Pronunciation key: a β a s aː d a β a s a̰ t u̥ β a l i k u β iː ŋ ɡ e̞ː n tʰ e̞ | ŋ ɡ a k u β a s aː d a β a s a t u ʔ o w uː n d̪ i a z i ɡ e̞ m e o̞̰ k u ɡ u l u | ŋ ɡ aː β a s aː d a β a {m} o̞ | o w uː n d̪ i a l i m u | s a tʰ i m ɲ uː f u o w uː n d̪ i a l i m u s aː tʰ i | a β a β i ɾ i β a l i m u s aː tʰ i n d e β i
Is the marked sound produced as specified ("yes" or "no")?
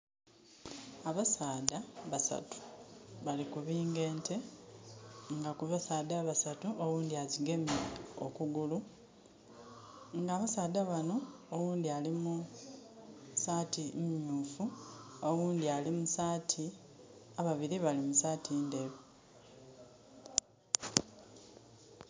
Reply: no